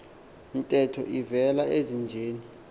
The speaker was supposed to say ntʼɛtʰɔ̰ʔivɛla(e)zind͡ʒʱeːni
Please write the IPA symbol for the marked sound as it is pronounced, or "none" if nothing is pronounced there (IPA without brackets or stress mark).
e